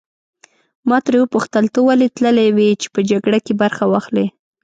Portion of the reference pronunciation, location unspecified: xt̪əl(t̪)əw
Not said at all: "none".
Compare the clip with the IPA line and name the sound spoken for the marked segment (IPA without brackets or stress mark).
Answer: t̪